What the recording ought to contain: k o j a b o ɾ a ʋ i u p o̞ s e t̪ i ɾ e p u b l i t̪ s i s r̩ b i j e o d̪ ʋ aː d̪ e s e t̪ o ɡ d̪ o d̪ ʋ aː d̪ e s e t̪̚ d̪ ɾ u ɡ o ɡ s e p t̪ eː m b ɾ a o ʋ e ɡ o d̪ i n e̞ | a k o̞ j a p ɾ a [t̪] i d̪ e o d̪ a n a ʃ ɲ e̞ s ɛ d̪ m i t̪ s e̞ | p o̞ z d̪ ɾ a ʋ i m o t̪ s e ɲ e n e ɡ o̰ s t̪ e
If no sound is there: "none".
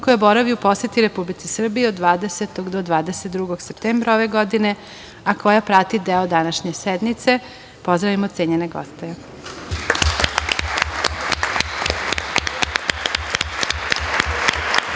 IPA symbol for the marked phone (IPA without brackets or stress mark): t̪